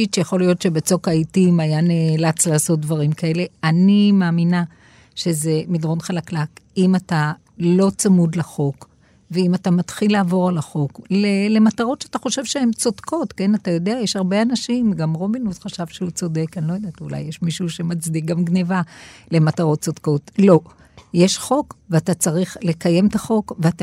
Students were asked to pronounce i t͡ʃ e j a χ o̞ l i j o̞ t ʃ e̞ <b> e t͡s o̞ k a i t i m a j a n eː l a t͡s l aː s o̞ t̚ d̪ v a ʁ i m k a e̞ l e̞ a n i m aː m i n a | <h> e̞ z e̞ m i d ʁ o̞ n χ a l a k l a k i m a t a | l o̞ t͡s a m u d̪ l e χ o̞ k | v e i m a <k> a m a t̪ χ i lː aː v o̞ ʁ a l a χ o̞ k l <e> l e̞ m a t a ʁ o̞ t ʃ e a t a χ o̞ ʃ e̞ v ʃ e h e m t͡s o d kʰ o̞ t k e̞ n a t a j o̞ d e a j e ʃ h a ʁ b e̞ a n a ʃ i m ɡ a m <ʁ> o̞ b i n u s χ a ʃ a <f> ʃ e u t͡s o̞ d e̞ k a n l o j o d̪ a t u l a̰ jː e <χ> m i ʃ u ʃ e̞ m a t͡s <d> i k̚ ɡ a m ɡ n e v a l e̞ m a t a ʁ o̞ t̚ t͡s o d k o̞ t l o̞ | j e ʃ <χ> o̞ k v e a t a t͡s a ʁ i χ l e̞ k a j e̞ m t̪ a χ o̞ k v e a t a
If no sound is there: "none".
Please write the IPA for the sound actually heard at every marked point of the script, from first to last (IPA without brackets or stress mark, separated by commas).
b, ʃ, t, e, ʁ, v, ʃ, d, χ